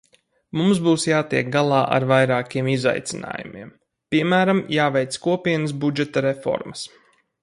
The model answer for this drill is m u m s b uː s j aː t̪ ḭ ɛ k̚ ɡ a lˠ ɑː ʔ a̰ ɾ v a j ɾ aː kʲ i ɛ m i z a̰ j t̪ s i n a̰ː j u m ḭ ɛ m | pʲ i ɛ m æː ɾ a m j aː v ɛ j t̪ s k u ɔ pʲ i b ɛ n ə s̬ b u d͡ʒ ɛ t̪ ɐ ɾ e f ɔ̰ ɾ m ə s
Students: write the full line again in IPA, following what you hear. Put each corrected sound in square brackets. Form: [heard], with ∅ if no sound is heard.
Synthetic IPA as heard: m u m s b uː s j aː t̪ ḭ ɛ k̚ ɡ a lˠ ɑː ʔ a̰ ɾ v a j ɾ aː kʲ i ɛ m i z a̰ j t̪ s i n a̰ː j u m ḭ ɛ m | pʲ i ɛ m æː ɾ a m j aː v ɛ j t̪ s k u ɔ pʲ i [∅] ɛ n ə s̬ b u d͡ʒ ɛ t̪ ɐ ɾ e f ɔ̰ ɾ m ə s